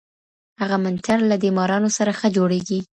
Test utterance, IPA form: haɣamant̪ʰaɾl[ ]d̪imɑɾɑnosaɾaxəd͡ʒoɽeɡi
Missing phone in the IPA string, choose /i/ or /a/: a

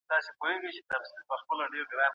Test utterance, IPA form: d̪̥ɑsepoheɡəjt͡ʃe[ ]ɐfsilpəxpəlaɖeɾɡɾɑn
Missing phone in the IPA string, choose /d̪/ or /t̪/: t̪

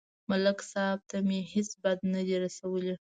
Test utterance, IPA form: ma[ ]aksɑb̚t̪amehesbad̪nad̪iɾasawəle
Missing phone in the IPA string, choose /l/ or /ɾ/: l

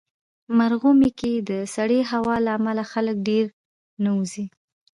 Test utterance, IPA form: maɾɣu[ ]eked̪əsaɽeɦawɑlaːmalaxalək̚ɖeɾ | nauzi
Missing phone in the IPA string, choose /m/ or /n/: m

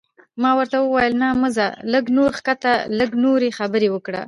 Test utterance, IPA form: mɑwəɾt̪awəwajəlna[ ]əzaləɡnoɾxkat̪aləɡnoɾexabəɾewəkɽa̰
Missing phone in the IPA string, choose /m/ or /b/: m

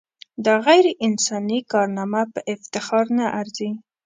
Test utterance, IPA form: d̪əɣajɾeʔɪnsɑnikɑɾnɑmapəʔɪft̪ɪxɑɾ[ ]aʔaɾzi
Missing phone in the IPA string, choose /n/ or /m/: n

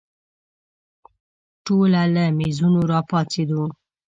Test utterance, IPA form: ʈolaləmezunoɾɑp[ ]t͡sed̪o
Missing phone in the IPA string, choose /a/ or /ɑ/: ɑ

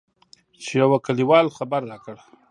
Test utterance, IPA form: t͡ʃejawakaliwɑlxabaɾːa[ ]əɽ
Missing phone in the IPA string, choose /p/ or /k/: k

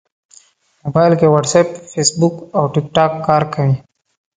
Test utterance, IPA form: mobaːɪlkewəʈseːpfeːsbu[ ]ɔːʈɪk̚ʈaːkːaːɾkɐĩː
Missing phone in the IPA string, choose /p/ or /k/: k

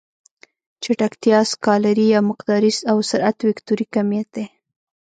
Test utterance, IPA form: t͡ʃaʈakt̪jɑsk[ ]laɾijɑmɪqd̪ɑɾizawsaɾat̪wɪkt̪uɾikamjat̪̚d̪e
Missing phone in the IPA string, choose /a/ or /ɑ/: ɑ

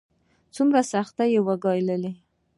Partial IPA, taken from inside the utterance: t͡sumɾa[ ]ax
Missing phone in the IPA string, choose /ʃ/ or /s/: s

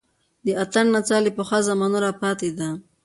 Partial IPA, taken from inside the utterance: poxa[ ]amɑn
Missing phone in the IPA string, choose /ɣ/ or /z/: z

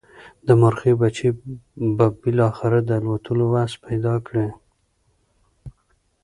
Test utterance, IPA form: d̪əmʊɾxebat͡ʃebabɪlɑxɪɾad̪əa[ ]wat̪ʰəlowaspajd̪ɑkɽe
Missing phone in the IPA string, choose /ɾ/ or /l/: l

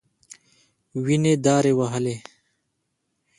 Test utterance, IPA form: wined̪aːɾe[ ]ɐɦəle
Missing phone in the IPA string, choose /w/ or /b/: w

